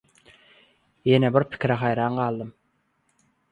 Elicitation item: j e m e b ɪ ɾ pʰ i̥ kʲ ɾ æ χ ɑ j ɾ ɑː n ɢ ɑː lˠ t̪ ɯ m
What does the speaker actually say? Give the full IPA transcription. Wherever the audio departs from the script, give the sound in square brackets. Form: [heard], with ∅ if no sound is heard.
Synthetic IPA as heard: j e [n] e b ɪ ɾ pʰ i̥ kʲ ɾ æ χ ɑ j ɾ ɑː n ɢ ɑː lˠ [d̪] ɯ m